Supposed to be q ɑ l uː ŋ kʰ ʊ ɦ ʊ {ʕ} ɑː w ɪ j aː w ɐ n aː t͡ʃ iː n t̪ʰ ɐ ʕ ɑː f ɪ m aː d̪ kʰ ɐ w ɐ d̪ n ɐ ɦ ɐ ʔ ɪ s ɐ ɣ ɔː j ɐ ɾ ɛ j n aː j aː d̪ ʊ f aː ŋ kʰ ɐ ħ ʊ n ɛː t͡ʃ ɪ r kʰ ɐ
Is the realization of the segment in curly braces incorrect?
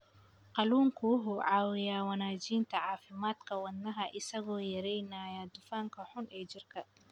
no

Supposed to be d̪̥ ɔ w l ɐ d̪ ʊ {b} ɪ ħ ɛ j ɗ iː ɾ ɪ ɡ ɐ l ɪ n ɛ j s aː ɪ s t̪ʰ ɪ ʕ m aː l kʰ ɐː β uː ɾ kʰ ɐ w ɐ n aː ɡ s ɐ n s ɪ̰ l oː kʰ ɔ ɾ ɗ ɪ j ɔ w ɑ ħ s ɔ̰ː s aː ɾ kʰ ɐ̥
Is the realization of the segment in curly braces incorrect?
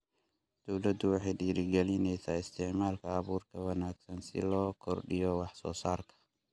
yes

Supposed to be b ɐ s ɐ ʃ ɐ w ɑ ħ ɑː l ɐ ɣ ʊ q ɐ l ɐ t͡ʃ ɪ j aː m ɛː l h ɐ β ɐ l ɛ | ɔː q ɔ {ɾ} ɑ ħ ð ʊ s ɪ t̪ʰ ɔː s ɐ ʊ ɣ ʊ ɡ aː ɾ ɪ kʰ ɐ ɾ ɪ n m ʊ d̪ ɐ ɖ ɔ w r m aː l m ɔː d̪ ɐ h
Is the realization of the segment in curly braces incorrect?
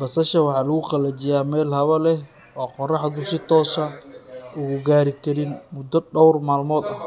yes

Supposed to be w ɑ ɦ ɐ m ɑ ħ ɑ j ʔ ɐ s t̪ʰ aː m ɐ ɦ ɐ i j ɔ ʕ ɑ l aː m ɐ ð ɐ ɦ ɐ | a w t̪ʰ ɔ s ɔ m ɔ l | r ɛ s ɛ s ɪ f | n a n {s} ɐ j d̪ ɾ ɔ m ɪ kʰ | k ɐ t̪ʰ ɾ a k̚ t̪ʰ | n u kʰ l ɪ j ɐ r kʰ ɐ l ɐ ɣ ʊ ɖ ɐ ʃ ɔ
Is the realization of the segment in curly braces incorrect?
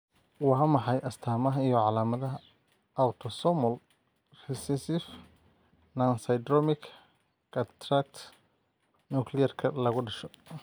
no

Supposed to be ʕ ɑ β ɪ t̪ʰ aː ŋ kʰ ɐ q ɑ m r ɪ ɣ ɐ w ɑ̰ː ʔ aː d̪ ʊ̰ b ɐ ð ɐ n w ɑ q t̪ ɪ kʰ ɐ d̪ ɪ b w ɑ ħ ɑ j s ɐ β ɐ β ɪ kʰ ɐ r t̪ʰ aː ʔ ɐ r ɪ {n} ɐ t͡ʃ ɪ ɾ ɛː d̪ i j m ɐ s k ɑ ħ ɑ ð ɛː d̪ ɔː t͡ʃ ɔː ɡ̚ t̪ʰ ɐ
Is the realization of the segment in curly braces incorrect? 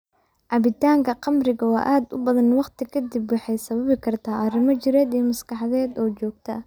yes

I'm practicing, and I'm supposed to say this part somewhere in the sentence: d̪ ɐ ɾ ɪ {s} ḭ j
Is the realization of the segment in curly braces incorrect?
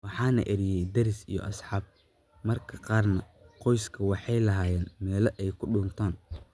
no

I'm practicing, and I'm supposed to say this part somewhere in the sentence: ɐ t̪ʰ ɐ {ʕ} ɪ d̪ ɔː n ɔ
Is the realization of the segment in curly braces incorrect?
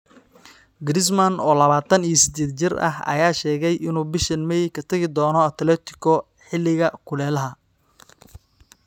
yes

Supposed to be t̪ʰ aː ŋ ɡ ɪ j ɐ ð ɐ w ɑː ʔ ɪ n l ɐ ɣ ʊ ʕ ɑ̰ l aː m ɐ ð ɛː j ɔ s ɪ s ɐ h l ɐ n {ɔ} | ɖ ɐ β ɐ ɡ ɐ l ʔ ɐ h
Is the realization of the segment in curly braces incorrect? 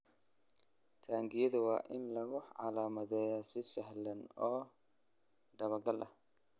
yes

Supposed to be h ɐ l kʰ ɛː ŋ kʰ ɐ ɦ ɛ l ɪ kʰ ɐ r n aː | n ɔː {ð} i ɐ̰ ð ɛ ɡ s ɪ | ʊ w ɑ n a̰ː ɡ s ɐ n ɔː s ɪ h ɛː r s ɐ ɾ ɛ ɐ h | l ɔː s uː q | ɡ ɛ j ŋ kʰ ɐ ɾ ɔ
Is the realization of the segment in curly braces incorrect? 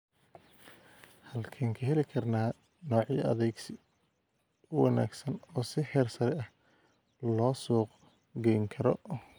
yes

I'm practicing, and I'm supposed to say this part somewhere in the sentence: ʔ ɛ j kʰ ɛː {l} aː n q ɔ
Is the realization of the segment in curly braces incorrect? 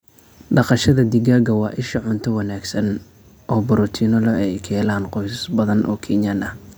no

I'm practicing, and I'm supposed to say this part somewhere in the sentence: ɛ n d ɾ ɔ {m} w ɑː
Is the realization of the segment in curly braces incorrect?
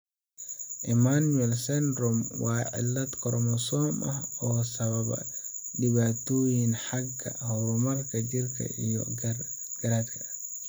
no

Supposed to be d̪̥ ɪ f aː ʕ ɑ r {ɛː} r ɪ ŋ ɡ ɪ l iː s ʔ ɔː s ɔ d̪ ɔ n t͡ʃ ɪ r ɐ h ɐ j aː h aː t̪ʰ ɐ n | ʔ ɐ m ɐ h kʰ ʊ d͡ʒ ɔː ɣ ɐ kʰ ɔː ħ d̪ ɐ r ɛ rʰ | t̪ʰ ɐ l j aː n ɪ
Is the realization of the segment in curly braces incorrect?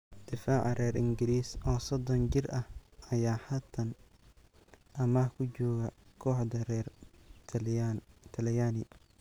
no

